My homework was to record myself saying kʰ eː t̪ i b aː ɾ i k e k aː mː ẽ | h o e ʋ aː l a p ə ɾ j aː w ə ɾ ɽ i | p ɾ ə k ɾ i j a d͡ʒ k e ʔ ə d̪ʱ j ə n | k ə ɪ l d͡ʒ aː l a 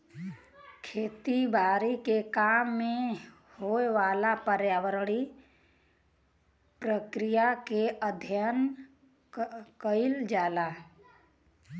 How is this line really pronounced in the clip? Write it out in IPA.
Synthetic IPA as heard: kʰ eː t̪ i b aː ɾ i k e k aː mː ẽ | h o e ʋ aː l a p ə ɾ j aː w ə ɾ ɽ i | p ɾ ə k ɾ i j a k e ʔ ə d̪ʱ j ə n | k ə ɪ l d͡ʒ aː l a